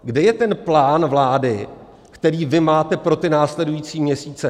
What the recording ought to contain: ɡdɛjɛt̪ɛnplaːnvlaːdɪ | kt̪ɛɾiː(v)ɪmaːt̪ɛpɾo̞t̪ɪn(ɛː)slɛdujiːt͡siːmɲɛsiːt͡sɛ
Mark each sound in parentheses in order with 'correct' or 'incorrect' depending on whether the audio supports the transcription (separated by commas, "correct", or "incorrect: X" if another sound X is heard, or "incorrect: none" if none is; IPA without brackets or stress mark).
correct, incorrect: aː